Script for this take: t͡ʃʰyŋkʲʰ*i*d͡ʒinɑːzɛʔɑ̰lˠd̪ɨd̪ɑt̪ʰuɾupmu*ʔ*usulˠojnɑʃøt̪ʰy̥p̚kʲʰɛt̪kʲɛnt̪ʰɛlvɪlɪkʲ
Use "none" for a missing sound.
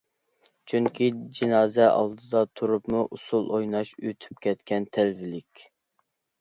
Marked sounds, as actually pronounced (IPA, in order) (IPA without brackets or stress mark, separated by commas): i, ʔ